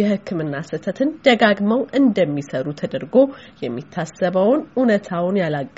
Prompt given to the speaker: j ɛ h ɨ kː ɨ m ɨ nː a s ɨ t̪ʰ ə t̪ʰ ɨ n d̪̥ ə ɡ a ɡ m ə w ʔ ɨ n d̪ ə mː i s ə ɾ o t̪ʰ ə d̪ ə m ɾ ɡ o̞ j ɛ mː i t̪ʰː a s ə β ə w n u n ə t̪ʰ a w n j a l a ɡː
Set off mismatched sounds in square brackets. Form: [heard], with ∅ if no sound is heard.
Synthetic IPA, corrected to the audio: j ɛ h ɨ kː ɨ m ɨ nː a s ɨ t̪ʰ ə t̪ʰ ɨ n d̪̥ ə ɡ a ɡ m ə w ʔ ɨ n d̪ ə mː i s ə ɾ [u] t̪ʰ ə d̪ ə [∅] ɾ ɡ o̞ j ɛ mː i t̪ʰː a s ə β ə w n u n ə t̪ʰ a w n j a l a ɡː